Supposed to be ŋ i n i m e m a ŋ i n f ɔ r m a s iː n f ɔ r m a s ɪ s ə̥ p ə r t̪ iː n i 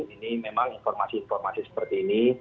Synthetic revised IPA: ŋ i n i m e m a ŋ i n f ɔ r m a s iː n f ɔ r m a s i s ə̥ p ə r t̪ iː n i